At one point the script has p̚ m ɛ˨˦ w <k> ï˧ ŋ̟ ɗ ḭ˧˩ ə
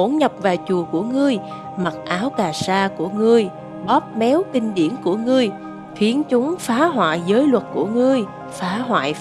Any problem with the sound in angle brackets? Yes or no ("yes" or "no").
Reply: no